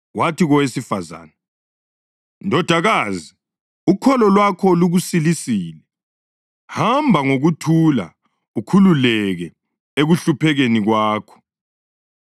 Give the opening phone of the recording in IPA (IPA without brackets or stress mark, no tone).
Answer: w